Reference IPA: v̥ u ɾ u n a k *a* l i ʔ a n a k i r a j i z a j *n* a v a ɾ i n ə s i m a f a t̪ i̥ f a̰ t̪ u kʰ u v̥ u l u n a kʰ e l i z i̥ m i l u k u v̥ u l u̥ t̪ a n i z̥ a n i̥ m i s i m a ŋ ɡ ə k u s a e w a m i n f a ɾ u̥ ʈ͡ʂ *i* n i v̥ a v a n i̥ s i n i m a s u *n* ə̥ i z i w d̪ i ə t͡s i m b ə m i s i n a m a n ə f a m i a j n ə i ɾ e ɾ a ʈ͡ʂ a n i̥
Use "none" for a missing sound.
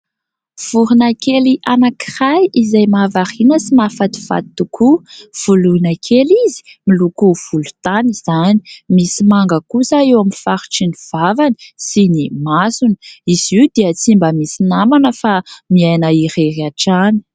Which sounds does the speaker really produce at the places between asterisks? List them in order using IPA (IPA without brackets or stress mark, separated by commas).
e, m, i, n